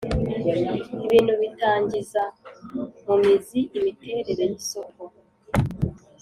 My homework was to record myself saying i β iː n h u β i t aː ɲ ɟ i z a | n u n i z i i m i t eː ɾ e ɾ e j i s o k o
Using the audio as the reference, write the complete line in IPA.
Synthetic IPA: i β iː n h u β i t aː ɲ ɟ i z a | m u m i z i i m i t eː ɾ e ɾ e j i s o k o